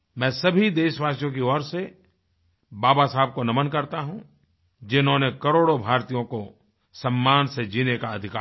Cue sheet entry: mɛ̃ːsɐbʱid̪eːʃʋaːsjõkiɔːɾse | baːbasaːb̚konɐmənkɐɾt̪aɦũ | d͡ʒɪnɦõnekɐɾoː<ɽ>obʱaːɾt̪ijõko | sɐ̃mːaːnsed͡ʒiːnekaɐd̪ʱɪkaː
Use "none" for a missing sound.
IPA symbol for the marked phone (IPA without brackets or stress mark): ɽ